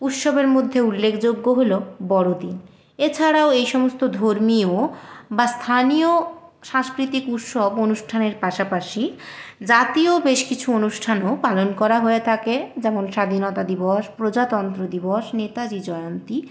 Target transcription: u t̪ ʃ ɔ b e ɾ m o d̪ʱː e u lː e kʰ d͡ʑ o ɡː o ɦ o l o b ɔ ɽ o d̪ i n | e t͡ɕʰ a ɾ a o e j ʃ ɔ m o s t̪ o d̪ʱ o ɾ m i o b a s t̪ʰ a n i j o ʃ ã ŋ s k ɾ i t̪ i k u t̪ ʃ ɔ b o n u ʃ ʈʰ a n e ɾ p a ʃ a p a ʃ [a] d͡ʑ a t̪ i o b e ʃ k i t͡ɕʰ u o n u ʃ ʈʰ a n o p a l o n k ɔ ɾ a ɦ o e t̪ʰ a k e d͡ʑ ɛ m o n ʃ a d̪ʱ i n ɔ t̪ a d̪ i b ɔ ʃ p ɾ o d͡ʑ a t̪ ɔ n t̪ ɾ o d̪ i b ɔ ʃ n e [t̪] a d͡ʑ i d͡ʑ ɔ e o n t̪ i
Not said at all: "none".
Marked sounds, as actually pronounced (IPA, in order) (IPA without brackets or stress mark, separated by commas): i, t̪